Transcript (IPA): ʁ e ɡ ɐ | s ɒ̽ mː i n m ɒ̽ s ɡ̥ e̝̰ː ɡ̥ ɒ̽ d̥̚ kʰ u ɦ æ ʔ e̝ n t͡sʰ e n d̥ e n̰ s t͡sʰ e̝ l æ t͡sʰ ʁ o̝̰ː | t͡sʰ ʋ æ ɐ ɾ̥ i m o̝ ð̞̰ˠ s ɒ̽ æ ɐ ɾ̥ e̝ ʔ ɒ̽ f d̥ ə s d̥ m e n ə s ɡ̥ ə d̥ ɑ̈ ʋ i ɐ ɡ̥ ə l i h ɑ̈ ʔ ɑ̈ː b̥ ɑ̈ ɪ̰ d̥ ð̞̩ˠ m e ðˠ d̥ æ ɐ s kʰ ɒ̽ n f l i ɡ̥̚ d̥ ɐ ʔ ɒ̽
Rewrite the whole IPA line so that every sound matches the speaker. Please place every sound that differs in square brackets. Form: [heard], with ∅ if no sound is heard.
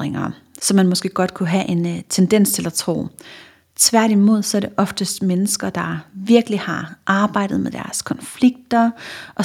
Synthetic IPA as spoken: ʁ e [ŋ] ɐ | s ɒ̽ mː [æ] n m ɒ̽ s ɡ̥ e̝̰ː ɡ̥ ɒ̽ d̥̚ kʰ u ɦ æ ʔ e̝ n t͡sʰ e n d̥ e n̰ s t͡sʰ e̝ l æ t͡sʰ ʁ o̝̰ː | t͡sʰ ʋ æ ɐ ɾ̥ i m o̝ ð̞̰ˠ s ɒ̽ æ ɐ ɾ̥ e̝ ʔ ɒ̽ f d̥ ə s d̥ m e n ə s ɡ̥ [ɐ] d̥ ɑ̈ ʋ i ɐ ɡ̥ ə l i h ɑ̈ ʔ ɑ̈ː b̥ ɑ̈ ɪ̰ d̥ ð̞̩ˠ m e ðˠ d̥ æ ɐ s kʰ ɒ̽ n f l i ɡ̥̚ d̥ ɐ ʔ ɒ̽